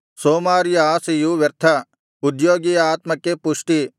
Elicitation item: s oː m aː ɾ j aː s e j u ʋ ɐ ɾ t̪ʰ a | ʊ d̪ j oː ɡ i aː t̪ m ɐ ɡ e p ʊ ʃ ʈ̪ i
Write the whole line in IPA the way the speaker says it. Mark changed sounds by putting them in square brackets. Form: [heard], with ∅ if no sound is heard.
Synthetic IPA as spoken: s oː m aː ɾ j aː s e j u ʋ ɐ ɾ t̪ʰ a | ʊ d̪ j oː ɡ i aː t̪ m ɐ [k] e p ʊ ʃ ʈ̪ i